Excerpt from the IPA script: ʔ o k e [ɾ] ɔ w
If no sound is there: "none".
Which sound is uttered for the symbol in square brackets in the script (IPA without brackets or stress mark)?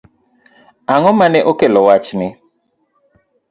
l